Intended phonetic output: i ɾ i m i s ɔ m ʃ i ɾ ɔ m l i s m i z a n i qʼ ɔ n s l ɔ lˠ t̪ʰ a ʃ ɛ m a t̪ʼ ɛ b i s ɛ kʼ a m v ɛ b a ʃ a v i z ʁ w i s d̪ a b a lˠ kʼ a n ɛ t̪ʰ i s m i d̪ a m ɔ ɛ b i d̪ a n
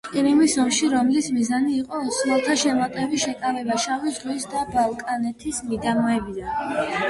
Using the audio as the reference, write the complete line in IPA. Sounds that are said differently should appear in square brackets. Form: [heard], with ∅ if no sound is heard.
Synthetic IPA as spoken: i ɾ i m i s ɔ m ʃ i ɾ ɔ m l i s m i z a n [iː] qʼ ɔ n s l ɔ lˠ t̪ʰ a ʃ ɛ m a t̪ʼ ɛ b i [ʃ] ɛ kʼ a [∅] v ɛ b a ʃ a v i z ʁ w i s d̪ a b a lˠ kʼ a n ɛ t̪ʰ i s m i d̪ a m ɔ ɛ b i d̪ a n